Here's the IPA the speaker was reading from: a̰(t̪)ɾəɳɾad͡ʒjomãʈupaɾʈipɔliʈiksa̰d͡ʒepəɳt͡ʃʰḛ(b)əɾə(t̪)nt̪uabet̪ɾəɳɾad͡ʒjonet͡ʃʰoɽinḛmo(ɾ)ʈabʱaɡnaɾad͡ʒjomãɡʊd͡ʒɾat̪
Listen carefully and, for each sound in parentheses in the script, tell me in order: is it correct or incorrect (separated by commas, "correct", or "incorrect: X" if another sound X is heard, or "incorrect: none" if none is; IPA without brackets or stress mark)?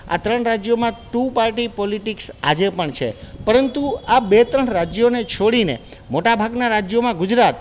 correct, incorrect: p, incorrect: none, incorrect: none